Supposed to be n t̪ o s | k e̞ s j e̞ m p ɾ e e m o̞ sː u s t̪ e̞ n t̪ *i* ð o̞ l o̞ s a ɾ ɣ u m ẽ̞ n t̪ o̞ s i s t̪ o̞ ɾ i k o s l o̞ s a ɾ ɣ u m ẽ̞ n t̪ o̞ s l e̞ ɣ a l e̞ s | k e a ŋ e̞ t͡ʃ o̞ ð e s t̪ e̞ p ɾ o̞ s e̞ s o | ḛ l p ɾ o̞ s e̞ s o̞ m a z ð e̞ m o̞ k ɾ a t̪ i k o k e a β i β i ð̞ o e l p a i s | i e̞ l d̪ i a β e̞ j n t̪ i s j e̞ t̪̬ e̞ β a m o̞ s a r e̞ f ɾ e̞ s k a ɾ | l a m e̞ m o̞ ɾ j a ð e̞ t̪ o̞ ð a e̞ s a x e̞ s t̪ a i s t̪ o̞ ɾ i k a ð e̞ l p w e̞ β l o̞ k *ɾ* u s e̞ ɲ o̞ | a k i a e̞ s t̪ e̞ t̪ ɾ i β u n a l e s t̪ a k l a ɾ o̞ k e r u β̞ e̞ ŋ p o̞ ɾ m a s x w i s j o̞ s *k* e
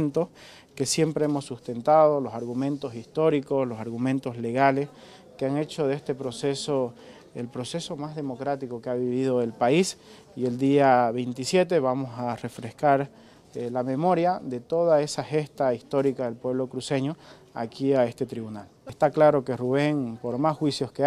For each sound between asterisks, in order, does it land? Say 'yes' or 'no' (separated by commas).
no, yes, yes